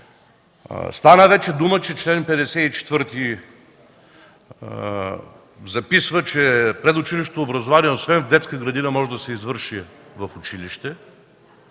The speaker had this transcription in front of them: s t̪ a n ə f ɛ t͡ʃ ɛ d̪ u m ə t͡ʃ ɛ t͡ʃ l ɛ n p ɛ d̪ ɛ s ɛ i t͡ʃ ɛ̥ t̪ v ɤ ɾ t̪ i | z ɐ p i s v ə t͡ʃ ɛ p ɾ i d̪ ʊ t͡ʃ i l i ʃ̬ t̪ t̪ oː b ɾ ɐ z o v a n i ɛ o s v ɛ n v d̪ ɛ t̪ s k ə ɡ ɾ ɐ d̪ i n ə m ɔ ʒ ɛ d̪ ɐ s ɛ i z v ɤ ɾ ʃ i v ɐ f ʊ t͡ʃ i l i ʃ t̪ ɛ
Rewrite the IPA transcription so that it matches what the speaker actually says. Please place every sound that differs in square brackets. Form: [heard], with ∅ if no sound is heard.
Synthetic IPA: s t̪ a n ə [v] ɛ t͡ʃ ɛ d̪ u m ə t͡ʃ ɛ t͡ʃ l ɛ n p ɛ d̪ ɛ s ɛ i t͡ʃ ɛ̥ t̪ v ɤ ɾ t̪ i | z ɐ p i s v ə t͡ʃ ɛ p ɾ [ɛ] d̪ ʊ t͡ʃ i l i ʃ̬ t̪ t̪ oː b ɾ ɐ z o v a n i ɛ o s v ɛ n v d̪ ɛ t̪ s k ə ɡ ɾ ɐ d̪ i n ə m ɔ ʒ ɛ d̪ ɐ s ɛ i z v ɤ ɾ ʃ i v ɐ f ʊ t͡ʃ i l i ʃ t̪ ɛ